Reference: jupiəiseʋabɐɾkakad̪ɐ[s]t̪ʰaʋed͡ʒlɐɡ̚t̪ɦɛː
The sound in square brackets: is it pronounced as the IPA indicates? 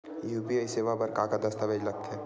yes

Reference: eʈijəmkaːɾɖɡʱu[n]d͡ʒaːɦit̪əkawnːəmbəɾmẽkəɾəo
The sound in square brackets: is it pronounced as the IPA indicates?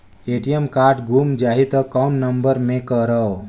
no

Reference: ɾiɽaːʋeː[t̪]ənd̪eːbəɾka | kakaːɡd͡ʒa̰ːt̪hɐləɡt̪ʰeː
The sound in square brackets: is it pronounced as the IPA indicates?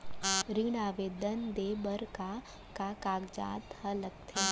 no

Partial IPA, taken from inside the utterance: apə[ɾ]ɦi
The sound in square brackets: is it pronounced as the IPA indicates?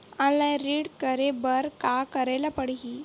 no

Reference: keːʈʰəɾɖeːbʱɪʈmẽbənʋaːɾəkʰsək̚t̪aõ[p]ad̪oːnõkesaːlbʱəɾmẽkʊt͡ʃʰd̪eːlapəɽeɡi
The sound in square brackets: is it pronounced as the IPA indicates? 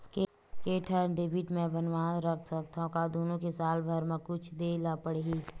no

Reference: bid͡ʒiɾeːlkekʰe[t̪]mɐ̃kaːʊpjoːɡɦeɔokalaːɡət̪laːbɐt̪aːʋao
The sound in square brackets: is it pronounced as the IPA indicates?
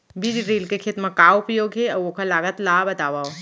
yes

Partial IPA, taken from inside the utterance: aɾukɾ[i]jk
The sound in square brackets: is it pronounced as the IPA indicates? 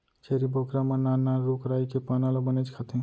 no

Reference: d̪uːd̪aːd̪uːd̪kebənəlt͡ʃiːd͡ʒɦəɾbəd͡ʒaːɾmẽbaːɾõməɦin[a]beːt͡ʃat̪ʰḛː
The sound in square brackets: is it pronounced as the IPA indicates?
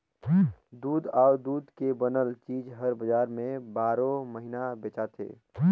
yes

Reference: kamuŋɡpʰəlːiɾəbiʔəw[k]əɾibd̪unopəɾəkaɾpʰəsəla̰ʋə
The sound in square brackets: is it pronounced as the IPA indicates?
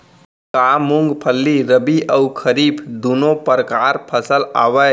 no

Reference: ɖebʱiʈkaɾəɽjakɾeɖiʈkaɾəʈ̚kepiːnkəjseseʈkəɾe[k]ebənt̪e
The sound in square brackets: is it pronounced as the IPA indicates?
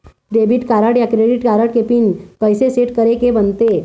yes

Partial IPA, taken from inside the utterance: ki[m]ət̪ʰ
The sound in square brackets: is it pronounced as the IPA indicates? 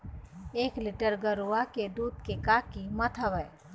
yes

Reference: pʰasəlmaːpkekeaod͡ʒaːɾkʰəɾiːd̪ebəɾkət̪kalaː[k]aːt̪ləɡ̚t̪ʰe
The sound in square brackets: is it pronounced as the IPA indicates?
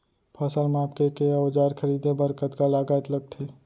no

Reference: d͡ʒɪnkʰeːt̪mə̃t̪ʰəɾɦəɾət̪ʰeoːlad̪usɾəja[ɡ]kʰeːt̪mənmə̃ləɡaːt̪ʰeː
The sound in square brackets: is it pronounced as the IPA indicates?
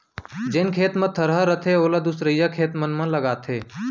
no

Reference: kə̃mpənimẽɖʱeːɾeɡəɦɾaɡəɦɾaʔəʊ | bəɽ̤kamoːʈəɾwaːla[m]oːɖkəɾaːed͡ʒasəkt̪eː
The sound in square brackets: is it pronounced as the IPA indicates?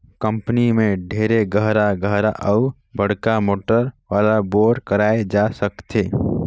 no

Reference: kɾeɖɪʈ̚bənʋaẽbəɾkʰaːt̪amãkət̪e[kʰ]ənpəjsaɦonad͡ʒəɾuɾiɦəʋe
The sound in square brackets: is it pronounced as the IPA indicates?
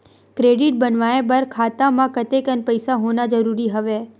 no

